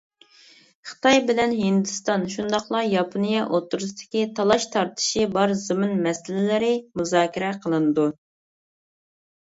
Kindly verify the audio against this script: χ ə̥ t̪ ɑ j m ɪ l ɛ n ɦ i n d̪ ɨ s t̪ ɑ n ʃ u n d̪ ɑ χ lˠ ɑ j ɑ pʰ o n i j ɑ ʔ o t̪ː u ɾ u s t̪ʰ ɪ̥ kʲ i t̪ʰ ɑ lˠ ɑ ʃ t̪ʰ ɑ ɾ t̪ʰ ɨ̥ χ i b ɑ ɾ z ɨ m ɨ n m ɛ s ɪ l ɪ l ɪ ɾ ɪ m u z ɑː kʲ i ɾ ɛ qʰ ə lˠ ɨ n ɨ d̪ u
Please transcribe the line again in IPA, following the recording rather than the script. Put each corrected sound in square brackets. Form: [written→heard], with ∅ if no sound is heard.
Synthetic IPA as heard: χ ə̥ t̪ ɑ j [m→b] ɪ l ɛ n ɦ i n d̪ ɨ s t̪ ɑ n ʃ u n d̪ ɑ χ lˠ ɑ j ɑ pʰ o n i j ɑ ʔ o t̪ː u ɾ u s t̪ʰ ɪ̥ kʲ i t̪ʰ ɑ lˠ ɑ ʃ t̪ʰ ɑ ɾ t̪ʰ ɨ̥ [χ→ʃ] i b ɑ ɾ z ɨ m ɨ n m ɛ s ɪ l ɪ l ɪ ɾ ɪ m u z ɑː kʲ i ɾ ɛ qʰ ə lˠ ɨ n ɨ d̪ u

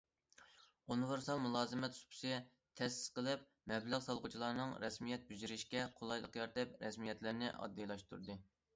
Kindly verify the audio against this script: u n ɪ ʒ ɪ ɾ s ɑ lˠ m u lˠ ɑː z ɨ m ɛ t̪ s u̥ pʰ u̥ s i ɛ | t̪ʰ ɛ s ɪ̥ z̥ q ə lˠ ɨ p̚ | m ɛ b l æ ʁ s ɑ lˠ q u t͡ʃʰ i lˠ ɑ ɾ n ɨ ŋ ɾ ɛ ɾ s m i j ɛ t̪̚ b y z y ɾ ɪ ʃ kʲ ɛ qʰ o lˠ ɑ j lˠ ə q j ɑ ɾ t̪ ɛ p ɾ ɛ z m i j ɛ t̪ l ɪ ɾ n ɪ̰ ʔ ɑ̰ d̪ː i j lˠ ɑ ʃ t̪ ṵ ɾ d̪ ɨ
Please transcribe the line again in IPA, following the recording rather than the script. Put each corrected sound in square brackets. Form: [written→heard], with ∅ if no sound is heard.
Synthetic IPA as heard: u n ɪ [ʒ→v] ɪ ɾ s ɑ lˠ m u lˠ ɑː z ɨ m ɛ t̪ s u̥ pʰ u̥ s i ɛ | t̪ʰ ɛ s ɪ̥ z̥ q ə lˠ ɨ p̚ | m ɛ b l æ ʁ s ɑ lˠ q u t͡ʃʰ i lˠ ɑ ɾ n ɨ ŋ ɾ ɛ [ɾ→∅] s m i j ɛ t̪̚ b y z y ɾ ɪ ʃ kʲ ɛ qʰ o lˠ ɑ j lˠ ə q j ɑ ɾ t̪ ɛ p ɾ ɛ [z→s] m i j ɛ t̪ l ɪ ɾ n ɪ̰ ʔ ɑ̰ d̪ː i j lˠ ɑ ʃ t̪ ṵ ɾ d̪ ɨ

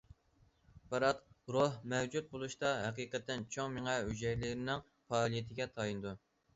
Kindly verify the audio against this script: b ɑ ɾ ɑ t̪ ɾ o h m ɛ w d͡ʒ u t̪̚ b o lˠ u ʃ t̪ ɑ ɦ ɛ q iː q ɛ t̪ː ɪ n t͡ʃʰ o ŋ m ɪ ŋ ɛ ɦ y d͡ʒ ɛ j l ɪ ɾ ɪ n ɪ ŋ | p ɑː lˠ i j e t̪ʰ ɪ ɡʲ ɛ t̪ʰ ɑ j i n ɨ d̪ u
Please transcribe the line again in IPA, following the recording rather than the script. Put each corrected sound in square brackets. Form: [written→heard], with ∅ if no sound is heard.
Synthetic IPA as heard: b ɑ ɾ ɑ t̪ ɾ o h m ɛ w d͡ʒ u t̪̚ b o lˠ u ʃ t̪ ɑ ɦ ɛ q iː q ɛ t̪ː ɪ n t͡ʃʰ o ŋ m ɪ ŋ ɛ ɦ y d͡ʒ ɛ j l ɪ ɾ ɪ n ɪ ŋ | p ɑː lˠ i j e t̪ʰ ɪ ɡʲ ɛ t̪ʰ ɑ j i n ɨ d̪ u

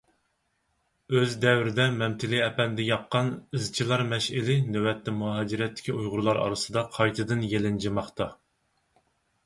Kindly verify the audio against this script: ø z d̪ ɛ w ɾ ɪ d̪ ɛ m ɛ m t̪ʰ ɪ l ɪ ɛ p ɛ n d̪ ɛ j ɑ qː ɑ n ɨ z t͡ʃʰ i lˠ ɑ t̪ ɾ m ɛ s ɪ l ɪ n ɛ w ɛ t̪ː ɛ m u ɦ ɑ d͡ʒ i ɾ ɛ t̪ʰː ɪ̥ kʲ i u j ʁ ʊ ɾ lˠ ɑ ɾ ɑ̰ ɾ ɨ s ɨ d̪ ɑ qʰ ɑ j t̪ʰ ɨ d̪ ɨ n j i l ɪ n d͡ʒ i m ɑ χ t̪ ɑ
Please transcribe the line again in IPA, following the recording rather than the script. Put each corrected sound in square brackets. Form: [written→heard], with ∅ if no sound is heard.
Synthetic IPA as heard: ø z d̪ ɛ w ɾ ɪ d̪ ɛ m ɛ m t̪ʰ ɪ l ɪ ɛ p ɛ n d̪ ɛ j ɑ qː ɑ n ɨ z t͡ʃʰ i lˠ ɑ [t̪→∅] ɾ m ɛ [s→ʃ] ɪ l ɪ n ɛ w ɛ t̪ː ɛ m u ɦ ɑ d͡ʒ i ɾ ɛ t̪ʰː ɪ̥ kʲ i u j ʁ ʊ ɾ lˠ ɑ ɾ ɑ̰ ɾ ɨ s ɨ d̪ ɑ qʰ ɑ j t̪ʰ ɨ d̪ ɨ n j [i→e] l ɪ n d͡ʒ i m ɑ χ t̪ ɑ

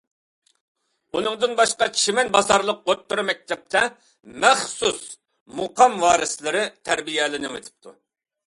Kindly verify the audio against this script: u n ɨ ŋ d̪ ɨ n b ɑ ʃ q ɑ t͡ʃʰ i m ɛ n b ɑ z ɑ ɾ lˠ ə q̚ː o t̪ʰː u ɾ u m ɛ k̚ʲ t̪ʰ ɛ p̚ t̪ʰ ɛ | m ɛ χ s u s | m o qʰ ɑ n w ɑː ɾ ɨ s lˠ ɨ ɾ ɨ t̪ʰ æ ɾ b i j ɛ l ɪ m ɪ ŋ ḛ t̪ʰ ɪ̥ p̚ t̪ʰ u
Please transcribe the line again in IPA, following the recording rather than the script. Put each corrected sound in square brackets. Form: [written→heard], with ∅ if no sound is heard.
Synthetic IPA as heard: u n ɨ ŋ d̪ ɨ n b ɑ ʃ q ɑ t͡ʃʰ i m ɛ n b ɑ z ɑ ɾ lˠ ə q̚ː o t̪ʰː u ɾ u m ɛ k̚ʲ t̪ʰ ɛ p̚ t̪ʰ ɛ | m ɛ χ s u s | m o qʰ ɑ [n→m] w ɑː ɾ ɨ s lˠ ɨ ɾ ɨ t̪ʰ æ ɾ b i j ɛ l ɪ [m→n] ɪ ŋ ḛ t̪ʰ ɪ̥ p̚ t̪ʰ u

